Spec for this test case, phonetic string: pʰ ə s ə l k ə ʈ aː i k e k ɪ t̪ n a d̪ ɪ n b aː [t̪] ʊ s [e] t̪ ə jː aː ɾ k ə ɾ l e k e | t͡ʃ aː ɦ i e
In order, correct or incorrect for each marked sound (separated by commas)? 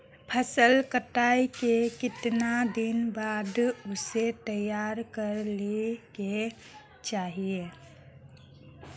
incorrect, correct